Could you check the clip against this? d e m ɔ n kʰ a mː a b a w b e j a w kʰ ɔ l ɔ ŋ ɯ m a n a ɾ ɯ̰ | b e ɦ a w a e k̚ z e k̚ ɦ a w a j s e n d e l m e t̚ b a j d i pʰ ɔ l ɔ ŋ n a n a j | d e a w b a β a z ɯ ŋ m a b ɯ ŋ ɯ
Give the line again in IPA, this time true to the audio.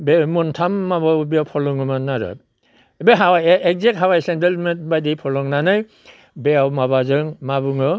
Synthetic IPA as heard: b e m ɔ n tʰ a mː a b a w b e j a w pʰ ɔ l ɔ ŋ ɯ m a n a ɾ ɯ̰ | b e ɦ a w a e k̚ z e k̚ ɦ a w a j s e n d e l m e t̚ b a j d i pʰ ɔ l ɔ ŋ n a n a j | b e a w m a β a z ɯ ŋ m a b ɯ ŋ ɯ

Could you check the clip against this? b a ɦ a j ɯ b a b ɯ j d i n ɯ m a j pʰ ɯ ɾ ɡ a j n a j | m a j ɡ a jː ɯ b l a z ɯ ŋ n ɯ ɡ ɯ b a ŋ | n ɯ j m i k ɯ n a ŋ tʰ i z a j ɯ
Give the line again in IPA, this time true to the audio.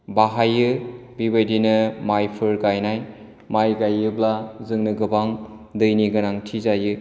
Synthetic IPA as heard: b a ɦ a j ɯ b i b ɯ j d i n ɯ m a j pʰ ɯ ɾ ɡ a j n a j | m a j ɡ a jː ɯ b l a z ɯ ŋ n ɯ ɡ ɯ b a ŋ | d ɯ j n i ɡ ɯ n a ŋ tʰ i z a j ɯ

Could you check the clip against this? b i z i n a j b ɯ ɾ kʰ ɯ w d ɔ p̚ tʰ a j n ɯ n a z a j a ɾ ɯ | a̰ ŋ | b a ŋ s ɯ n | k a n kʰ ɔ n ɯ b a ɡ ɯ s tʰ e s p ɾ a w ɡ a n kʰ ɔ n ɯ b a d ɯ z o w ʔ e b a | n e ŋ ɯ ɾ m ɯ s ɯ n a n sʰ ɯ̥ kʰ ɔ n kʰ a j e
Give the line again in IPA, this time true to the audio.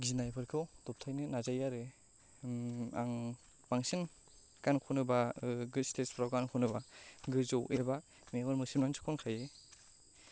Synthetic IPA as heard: ɡ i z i n a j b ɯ ɾ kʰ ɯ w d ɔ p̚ tʰ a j n ɯ n a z a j a ɾ ɯ | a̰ ŋ | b a ŋ s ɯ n | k a n kʰ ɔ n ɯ b a ɡ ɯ s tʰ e s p ɾ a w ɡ a n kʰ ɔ n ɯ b a ɡ ɯ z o w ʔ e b a | m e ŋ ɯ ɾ m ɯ s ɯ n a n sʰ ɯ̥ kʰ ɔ n kʰ a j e

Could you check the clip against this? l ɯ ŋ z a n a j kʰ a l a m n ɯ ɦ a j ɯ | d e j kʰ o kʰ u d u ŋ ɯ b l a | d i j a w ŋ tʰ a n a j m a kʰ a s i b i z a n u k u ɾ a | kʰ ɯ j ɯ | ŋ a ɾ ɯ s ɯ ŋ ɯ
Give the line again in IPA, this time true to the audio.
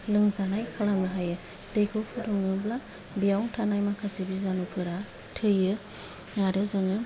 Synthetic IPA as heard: l ɯ ŋ z a n a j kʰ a l a m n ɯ ɦ a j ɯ | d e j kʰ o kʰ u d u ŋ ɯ b l a | b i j a w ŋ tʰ a n a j m a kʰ a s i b i z a n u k ɯ ɾ a | tʰ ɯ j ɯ | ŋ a ɾ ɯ z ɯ ŋ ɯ

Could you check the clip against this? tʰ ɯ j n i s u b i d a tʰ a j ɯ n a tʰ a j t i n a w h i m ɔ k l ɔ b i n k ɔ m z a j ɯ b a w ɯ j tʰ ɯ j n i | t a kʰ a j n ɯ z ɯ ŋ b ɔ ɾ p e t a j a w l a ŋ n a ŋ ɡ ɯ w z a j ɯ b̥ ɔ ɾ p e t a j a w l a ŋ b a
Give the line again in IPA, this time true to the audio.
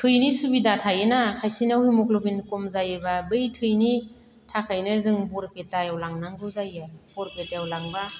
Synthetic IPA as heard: tʰ ɯ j n i s u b i d a tʰ a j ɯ n a kʰ a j s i n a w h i m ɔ k l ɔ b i n k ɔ m z a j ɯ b a b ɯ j tʰ ɯ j n i | tʰ a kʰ a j n ɯ z ɯ ŋ b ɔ ɾ p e t a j a w l a ŋ n a ŋ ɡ ɯ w z a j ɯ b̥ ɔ ɾ p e t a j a w l a ŋ b a

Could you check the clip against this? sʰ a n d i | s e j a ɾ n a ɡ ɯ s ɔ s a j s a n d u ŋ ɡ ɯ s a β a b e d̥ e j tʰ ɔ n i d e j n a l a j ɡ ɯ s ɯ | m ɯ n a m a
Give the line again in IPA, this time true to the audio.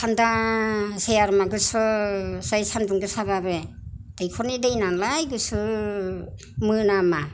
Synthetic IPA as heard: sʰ a n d a | s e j a ɾ m a ɡ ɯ s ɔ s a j s a n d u ŋ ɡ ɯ s a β a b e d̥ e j kʰ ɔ n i d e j n a l a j ɡ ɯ s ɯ | m ɯ n a m a

